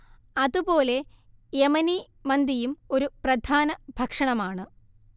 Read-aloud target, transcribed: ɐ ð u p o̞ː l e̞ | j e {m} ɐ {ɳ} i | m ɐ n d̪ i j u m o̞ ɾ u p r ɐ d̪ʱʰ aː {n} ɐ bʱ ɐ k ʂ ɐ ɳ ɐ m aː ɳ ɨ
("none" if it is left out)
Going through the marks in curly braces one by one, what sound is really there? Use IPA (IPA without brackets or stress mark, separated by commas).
m, n, n